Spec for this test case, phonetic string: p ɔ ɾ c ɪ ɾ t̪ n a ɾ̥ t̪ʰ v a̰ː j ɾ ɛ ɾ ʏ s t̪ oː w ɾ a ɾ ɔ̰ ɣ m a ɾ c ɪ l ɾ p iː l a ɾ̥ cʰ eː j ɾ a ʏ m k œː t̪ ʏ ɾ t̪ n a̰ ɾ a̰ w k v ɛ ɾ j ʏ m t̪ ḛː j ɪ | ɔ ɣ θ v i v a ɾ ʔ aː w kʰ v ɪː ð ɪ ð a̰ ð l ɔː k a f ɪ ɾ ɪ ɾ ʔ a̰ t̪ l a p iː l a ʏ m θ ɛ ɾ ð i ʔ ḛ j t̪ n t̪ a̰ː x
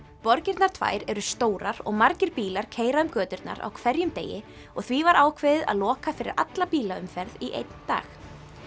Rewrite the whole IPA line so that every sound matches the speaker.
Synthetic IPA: p ɔ ɾ c ɪ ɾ t̪ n a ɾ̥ t̪ʰ v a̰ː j ɾ ɛ ɾ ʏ s t̪ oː w ɾ a ɾ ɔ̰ ɣ m a ɾ c ɪ ɾ p iː l a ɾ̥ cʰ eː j ɾ a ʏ m k œː t̪ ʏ ɾ t̪ n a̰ ɾ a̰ w kʰ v ɛ ɾ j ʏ m t̪ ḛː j ɪ | ɔ ɣ θ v i v a ɾ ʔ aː w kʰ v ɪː ð ɪ ð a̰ ð l ɔː k a f ɪ ɾ ɪ ɾ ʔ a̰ t̪ l a p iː l a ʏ m f ɛ ɾ ð i ʔ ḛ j t̪ n t̪ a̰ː x